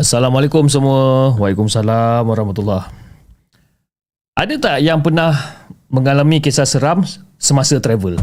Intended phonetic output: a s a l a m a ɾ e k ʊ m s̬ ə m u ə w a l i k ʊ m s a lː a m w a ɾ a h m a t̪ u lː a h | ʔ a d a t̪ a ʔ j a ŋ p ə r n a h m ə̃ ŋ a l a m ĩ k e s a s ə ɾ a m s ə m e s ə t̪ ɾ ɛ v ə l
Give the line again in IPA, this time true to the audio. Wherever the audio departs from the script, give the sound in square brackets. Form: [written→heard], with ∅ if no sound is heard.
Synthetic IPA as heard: a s a l a m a [ɾ→l] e k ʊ m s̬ ə m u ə w a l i k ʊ m s a [lː→l] a m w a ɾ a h m a t̪ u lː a h | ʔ a d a t̪ a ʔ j a ŋ p ə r n a h m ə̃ ŋ a l a m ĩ k e s a s ə ɾ a m s ə m [e→a] s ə t̪ ɾ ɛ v ə l